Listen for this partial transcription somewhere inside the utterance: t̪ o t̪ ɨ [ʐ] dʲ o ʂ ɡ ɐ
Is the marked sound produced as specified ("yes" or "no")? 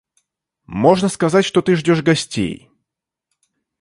yes